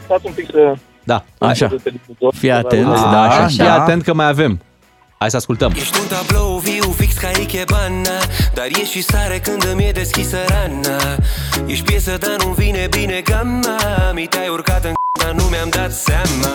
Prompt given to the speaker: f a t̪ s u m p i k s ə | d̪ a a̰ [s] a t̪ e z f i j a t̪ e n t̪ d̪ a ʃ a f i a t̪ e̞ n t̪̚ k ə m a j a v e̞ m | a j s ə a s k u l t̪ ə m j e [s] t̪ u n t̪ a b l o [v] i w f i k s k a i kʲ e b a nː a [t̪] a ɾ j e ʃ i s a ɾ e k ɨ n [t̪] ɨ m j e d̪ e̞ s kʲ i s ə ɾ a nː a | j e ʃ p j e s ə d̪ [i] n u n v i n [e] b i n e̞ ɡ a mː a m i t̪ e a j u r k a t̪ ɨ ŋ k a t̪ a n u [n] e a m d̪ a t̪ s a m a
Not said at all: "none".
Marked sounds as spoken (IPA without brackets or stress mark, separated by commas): ʃ, ʃ, v, d̪, d̪, a, e, m